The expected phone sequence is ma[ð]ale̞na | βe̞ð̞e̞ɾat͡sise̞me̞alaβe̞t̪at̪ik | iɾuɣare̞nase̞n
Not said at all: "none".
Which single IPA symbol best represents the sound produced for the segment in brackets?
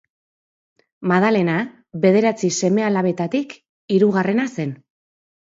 ð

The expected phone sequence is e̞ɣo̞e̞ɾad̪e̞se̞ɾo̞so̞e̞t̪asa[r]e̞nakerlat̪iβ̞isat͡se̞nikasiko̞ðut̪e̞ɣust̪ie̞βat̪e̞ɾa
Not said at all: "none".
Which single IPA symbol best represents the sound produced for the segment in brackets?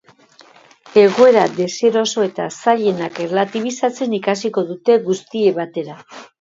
ʎ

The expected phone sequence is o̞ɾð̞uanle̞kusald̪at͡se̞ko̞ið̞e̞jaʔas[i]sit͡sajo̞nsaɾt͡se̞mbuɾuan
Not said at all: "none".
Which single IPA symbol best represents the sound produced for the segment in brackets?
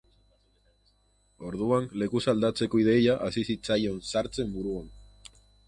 i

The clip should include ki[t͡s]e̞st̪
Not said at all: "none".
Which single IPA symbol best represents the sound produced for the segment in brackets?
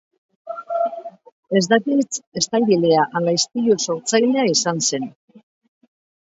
t͡s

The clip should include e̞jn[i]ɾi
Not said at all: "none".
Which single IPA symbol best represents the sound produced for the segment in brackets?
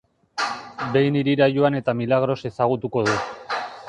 i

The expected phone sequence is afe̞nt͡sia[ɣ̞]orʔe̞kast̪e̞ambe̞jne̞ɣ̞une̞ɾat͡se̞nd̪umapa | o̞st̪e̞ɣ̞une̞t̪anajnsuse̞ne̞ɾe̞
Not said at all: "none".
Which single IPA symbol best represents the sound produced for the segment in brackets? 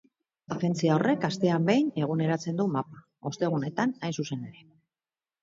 none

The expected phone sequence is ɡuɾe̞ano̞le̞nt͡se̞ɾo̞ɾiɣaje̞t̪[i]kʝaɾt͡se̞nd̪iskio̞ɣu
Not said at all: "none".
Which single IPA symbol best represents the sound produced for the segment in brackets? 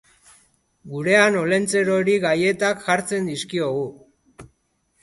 a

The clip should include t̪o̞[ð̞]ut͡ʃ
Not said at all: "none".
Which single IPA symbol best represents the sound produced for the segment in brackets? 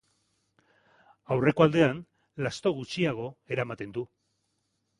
ɣ̞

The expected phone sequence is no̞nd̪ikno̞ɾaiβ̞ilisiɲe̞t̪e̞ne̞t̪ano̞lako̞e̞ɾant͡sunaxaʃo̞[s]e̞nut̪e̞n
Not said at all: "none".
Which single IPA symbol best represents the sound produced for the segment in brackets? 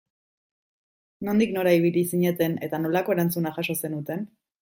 s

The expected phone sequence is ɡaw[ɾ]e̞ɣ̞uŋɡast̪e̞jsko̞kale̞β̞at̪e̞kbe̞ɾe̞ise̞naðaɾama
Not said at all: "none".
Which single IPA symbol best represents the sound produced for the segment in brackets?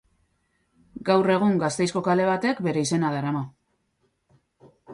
r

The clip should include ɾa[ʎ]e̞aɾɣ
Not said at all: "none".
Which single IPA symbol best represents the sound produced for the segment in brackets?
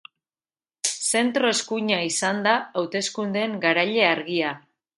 ʎ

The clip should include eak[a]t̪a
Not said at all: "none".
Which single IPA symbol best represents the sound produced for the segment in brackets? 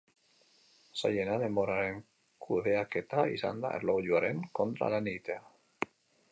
e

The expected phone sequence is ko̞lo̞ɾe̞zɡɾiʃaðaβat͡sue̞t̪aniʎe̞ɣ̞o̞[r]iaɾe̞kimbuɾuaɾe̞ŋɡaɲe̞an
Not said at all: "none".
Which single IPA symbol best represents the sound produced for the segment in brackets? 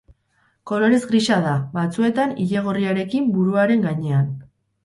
r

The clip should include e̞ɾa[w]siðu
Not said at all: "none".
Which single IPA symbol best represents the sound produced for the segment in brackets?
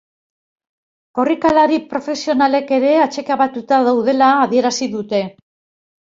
none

